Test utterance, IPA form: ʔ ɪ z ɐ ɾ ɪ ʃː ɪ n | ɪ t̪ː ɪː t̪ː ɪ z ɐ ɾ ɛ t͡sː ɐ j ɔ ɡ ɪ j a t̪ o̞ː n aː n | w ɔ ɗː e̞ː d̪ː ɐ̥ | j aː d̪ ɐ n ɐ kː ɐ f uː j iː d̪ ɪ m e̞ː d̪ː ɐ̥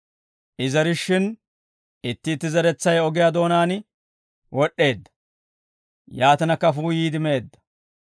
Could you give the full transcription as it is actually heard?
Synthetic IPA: ʔ ɪ z ɐ ɾ ɪ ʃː ɪ n | ɪ t̪ː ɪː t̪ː ɪ z ɐ ɾ ɛ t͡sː ɐ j ɔ ɡ ɪ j a d̪ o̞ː n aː n | w ɔ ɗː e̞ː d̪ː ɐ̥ | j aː t̪ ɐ n ɐ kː ɐ f uː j iː d̪ ɪ m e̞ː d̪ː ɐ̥